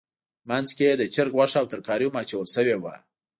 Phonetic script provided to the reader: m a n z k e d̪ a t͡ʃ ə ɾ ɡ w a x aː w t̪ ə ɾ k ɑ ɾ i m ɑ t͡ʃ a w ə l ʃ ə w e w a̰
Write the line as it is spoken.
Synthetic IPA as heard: m a n z k e d̪ ə t͡ʃ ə ɾ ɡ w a ʂ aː w t̪ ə ɾ k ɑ ɾ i m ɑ t͡ʃ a w ə l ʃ ə w e w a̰